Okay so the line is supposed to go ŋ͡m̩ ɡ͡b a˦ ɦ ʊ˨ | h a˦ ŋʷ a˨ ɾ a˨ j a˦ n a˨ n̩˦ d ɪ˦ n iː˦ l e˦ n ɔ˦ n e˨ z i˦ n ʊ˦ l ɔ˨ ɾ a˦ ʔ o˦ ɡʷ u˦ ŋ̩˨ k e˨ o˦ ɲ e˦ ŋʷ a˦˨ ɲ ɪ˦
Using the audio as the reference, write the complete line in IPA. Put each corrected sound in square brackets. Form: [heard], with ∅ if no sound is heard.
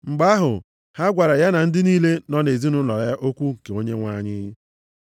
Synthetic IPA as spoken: ŋ͡m̩ ɡ͡b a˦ ɦ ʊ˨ | h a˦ [ɡʷ] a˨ ɾ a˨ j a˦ n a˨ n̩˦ d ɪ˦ n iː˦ l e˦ n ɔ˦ n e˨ z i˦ n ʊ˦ l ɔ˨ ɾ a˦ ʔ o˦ [kʷ] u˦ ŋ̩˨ k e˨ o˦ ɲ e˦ ŋʷ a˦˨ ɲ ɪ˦